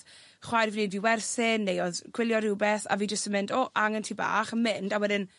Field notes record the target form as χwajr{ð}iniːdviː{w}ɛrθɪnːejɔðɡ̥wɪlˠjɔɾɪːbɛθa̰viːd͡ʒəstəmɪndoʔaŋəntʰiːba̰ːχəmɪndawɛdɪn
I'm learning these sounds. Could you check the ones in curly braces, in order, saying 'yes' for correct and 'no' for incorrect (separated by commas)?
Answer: no, yes